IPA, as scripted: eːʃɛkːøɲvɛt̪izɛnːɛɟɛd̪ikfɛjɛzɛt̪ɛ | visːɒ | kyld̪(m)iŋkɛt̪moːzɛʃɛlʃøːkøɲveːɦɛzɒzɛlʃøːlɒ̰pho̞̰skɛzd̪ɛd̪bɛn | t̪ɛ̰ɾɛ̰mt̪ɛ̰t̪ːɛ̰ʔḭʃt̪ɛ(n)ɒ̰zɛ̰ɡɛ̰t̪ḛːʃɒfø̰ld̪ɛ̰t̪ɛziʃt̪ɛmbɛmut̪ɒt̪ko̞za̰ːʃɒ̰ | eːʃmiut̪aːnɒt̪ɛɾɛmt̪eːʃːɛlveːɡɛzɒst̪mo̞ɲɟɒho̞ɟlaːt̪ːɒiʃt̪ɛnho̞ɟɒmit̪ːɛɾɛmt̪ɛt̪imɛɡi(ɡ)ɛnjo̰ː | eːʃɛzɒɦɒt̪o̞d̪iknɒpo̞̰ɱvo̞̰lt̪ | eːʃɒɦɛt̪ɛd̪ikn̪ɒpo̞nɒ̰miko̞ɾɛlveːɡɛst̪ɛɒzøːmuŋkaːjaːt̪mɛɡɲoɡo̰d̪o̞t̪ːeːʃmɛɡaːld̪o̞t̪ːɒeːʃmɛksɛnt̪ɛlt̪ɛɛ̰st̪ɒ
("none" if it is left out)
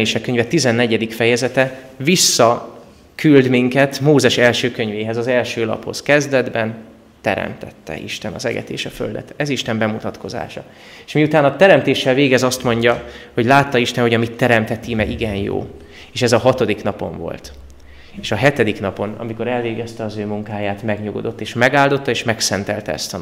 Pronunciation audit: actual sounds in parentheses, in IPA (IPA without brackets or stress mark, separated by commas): m, n, ɡ